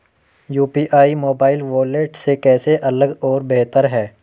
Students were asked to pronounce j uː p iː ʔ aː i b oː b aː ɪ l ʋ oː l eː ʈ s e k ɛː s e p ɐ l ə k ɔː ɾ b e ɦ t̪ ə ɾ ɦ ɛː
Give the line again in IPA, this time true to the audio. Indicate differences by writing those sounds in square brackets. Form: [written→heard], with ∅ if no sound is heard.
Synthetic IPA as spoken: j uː p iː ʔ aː i [b→m] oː b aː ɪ l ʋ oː l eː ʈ s e k ɛː s e [p→ʔ] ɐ l ə [k→ɡ] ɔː ɾ b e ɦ t̪ ə ɾ ɦ ɛː